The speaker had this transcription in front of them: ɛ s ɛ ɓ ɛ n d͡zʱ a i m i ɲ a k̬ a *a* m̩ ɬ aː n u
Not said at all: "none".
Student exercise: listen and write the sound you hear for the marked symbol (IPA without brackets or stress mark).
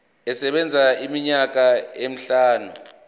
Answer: e